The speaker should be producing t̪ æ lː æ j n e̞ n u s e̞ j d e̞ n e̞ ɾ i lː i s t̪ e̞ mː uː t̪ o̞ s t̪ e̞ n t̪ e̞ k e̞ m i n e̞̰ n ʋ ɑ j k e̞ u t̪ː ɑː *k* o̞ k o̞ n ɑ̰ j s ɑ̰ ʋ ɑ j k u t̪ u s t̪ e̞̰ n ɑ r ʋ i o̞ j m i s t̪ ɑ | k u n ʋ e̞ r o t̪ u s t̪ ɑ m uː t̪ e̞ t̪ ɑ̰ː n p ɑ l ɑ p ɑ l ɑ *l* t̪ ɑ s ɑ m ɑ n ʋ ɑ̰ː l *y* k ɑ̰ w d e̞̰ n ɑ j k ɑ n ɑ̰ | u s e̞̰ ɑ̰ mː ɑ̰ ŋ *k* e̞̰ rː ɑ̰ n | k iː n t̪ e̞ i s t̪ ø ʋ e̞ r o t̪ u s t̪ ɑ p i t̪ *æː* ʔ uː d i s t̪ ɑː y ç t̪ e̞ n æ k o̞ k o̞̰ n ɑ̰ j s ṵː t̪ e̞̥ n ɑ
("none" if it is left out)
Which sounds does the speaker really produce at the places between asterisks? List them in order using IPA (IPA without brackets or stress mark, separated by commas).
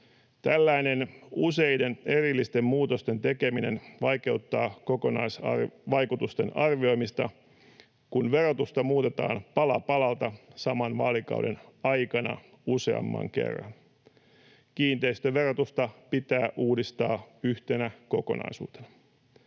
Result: k, l, i, k, æː